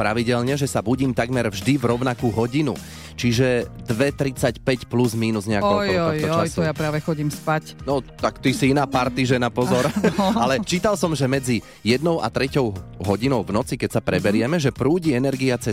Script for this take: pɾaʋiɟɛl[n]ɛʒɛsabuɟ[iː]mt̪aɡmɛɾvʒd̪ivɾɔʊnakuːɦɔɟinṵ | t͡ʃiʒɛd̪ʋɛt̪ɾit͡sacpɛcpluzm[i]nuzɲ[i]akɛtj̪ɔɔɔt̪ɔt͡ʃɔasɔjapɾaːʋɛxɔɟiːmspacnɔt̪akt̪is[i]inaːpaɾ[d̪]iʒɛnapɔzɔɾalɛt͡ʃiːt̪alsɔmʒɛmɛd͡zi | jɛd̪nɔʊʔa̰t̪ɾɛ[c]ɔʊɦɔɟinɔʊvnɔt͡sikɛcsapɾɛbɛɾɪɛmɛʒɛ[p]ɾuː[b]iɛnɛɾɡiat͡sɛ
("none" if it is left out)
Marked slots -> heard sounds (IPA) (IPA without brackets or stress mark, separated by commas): ɲ, iː, iː, ɛ, i, t̪, c, p, ɟ